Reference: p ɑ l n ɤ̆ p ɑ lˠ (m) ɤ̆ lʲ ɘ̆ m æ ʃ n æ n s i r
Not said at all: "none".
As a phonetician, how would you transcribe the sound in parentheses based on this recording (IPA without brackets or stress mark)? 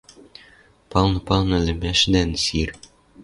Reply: n